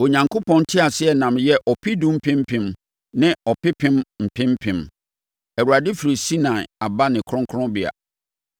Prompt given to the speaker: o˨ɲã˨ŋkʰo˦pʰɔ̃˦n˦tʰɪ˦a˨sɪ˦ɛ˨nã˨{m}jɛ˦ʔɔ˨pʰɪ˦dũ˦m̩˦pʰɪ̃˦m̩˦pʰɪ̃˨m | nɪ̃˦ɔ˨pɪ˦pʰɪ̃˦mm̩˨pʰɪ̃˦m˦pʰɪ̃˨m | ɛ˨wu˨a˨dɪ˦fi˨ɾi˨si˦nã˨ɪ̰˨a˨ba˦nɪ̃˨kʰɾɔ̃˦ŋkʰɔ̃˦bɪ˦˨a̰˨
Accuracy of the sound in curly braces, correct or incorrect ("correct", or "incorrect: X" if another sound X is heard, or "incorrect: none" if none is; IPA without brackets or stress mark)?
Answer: correct